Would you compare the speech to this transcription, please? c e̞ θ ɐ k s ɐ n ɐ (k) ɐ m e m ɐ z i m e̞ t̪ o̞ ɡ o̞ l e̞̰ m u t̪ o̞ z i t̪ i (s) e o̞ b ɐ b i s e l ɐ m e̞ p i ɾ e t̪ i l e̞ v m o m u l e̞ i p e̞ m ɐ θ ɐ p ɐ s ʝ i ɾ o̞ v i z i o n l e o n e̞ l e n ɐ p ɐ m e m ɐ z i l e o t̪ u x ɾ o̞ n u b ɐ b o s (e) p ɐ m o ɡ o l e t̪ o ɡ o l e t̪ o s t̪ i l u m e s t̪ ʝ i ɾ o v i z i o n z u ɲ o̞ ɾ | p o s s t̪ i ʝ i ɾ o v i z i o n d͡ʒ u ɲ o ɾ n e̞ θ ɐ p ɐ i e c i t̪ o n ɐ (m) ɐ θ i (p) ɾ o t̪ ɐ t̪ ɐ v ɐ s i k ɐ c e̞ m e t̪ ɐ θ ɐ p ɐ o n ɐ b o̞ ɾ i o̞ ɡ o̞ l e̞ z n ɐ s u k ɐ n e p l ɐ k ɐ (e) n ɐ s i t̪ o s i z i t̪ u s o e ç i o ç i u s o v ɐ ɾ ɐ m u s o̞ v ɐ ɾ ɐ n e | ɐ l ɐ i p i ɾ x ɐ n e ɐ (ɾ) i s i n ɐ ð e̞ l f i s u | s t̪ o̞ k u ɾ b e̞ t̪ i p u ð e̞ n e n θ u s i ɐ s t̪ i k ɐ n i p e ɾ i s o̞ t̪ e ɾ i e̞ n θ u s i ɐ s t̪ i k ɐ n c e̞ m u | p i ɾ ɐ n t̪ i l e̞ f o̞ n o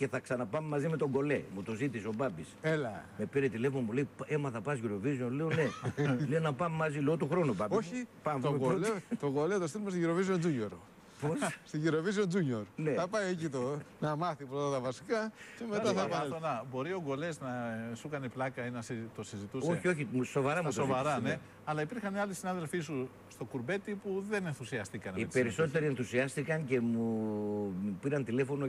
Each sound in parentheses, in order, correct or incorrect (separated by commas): incorrect, correct, incorrect, correct, correct, incorrect, incorrect